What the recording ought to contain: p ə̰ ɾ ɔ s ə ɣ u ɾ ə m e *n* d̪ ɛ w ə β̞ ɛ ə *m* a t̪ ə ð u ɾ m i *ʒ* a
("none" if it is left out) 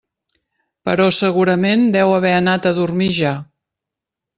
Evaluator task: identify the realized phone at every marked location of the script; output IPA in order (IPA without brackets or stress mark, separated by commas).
n, n, ʒ